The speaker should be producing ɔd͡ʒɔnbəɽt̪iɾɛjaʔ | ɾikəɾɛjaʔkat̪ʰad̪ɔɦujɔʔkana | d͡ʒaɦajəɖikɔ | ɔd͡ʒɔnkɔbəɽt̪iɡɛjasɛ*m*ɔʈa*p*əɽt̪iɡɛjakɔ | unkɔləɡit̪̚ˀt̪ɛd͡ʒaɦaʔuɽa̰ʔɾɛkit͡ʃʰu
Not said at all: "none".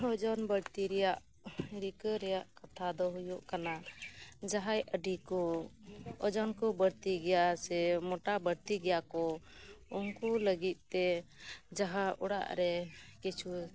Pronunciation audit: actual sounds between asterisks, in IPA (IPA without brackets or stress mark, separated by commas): m, b